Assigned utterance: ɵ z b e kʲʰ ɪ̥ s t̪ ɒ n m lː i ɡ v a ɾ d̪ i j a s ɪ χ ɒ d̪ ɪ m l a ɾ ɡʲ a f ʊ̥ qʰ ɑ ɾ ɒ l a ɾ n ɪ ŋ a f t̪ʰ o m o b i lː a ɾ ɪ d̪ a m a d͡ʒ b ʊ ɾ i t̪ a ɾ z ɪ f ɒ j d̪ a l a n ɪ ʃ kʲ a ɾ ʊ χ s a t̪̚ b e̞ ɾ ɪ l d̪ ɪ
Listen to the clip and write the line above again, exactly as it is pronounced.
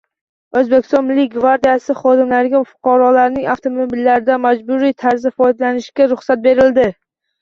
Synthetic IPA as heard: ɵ z b e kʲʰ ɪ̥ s t̪ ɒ n m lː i ɡ v a ɾ d̪ i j a s ɪ χ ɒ d̪ ɪ m l a ɾ ɡʲ a f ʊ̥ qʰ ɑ ɾ ɒ l a ɾ n ɪ ŋ a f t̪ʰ o m o b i lː a ɾ ɪ d̪ a m a d͡ʒ b ʊ ɾ i t̪ʰ a ɾ z ɪ f ɒ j d̪ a l a n ɪ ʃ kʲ a ɾ ʊ χ s a t̪̚ b e̞ ɾ ɪ l d̪ ɪ